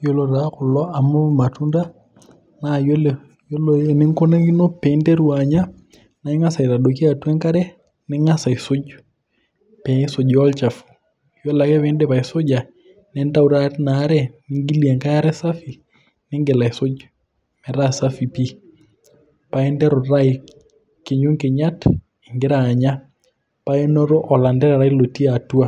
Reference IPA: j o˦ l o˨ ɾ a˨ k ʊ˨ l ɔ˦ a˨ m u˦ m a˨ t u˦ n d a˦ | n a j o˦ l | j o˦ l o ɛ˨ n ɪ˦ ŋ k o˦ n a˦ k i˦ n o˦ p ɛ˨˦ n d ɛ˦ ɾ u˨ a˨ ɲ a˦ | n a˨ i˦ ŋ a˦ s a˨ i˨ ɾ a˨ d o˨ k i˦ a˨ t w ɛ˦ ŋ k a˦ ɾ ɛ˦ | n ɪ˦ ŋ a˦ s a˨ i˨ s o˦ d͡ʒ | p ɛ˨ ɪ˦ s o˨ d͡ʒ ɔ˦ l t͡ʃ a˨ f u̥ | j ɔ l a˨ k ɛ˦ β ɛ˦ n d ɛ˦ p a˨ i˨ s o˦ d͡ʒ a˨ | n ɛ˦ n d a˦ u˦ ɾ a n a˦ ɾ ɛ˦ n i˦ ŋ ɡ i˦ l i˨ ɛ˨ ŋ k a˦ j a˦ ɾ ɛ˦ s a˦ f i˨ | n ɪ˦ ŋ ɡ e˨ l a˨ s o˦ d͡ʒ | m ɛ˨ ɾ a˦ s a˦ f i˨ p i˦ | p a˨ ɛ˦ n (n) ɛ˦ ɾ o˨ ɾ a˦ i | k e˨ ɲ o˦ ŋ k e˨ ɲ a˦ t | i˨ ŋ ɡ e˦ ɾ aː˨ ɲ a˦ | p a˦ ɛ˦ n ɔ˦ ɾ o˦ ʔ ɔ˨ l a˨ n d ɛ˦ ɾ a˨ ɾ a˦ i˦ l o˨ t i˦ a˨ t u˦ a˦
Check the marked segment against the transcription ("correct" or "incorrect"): incorrect